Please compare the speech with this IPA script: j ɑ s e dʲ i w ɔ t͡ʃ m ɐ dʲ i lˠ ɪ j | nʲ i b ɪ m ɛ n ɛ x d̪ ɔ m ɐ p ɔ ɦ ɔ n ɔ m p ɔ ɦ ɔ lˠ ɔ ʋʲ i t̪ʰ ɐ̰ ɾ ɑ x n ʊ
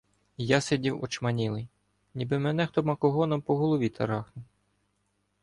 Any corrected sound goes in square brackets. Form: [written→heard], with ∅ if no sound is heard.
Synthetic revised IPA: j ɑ s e dʲ i w ɔ t͡ʃ m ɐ [dʲ→nʲ] i lˠ ɪ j | nʲ i b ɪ m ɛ n ɛ x [d̪→t̪] ɔ m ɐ [p→k] ɔ ɦ ɔ n ɔ m p ɔ ɦ ɔ lˠ ɔ ʋʲ i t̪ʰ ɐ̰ ɾ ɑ x n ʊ